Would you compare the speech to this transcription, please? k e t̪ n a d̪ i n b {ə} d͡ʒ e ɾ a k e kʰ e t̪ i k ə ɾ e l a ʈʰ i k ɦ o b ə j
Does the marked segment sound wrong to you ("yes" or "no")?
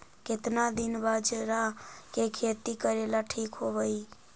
yes